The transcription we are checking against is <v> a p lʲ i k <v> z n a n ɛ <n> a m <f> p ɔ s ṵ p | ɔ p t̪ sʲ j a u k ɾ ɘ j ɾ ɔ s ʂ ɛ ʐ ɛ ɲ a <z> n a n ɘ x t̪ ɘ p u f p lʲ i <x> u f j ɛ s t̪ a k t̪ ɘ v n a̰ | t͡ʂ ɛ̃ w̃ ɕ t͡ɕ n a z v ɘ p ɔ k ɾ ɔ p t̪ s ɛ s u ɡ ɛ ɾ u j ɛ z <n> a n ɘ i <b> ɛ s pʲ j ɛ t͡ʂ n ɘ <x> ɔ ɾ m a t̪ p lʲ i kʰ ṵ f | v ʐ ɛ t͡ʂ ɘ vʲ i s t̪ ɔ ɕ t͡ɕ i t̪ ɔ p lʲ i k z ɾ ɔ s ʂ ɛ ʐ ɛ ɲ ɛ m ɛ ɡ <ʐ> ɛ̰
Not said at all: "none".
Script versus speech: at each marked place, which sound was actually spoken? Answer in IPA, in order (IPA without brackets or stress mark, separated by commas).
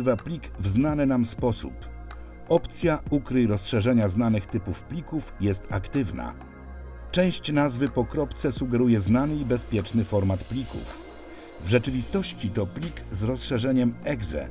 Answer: v, v, n, s, z, k, n, b, f, z